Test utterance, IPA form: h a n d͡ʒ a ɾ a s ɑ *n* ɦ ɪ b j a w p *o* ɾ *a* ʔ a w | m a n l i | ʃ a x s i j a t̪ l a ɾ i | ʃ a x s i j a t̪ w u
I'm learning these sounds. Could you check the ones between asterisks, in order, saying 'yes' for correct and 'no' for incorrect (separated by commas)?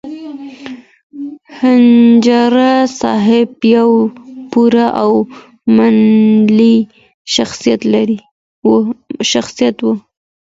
no, no, yes